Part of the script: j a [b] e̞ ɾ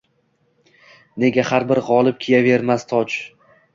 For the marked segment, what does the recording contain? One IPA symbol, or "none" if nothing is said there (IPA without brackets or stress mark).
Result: v